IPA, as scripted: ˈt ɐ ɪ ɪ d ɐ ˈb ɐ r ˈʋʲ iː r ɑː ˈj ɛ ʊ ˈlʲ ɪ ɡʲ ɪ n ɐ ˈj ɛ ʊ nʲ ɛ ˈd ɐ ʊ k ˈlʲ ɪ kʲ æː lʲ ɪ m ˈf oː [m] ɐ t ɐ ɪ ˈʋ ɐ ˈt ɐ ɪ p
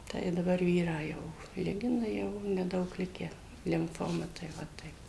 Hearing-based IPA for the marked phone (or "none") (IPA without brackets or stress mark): m